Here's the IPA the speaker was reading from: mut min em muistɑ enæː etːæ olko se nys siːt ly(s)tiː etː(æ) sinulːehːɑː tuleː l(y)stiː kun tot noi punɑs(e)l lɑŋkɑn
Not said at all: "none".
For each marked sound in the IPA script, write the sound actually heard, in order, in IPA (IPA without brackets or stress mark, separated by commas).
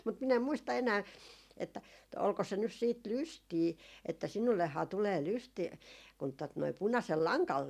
s, æ, y, e